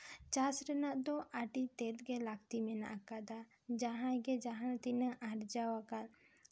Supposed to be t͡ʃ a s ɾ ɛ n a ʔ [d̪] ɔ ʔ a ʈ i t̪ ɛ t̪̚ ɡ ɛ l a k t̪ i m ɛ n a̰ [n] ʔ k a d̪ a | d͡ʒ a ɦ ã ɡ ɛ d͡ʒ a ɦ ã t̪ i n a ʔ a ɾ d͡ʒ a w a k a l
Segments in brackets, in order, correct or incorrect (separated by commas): correct, incorrect